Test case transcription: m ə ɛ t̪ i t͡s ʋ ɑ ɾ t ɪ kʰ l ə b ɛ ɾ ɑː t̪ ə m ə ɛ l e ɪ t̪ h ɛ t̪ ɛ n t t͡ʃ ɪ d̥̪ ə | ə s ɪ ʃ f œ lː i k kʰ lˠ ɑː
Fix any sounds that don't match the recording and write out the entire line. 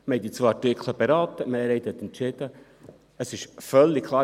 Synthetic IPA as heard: m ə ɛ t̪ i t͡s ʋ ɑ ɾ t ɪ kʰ l ə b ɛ ɾ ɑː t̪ ə m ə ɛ ɾ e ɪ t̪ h ɛ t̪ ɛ n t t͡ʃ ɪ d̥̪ ə | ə s ɪ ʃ f œ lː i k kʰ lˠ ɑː